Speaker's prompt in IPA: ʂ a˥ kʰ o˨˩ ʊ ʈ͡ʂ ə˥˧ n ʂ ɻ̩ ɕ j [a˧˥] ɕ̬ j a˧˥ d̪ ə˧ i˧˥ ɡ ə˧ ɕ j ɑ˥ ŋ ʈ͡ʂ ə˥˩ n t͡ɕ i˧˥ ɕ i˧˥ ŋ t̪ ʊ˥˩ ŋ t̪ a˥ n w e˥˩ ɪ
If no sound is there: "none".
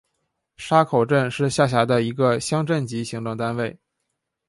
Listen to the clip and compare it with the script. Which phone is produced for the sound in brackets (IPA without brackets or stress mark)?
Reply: a˥˩